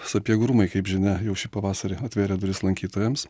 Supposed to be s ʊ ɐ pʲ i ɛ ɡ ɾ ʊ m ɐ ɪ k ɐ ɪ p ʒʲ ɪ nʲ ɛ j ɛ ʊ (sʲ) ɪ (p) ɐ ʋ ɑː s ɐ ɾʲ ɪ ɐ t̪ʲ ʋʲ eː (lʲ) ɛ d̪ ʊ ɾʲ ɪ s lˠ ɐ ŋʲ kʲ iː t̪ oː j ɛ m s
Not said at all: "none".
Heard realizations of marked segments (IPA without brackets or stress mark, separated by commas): ʃʲ, p, ɾʲ